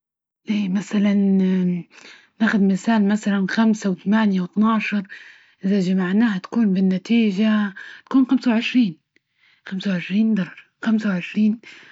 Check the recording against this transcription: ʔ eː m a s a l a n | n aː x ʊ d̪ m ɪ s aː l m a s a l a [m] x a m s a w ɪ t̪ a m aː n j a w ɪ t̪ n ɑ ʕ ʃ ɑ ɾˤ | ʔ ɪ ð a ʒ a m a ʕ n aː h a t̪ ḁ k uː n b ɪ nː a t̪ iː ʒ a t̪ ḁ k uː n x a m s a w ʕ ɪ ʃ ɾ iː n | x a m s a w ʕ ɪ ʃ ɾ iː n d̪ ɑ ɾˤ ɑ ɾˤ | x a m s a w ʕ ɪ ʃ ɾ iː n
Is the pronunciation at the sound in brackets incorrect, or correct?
incorrect